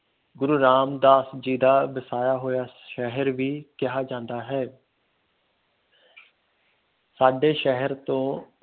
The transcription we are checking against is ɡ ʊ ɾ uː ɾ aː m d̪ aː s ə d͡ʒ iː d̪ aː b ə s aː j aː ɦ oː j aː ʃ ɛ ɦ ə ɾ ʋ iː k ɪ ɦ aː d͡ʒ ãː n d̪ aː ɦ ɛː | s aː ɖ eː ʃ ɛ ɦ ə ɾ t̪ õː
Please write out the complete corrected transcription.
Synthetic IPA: ɡ ʊ ɾ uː ɾ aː m d̪ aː s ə d͡ʒ iː d̪ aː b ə s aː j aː ɦ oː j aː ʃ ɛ ɦ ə ɾ ʋ iː k ɪ ɦ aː d͡ʒ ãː n d̪ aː ɦ ɛː | s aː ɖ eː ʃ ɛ ɦ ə ɾ t̪ õː